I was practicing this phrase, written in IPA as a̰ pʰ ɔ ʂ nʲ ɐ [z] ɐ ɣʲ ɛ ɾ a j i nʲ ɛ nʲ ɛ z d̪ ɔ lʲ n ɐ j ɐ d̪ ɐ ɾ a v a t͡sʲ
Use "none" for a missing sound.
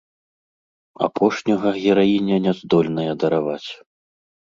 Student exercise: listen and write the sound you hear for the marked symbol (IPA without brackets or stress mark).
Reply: ɣ